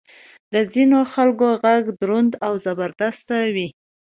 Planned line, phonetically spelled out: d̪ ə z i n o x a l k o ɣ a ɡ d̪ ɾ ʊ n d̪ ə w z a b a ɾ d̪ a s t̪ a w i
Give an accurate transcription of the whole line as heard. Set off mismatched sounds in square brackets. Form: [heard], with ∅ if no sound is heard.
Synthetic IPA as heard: d̪ ə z i n o x a l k o ɣ a ɡ d̪ ɾ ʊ n d̪ [a] w z a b a ɾ d̪ a s t̪ a w i